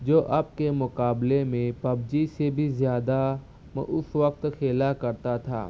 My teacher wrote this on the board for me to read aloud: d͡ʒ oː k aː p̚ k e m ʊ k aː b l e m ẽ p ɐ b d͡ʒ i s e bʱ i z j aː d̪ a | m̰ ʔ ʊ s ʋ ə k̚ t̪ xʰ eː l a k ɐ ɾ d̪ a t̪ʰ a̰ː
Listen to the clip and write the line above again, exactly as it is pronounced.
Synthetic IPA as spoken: d͡ʒ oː ʔ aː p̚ k e m ʊ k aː b l e m ẽ p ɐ b d͡ʒ i s e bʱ i z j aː d̪ a | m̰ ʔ ʊ s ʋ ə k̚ t̪ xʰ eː l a k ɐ ɾ t̪ a t̪ʰ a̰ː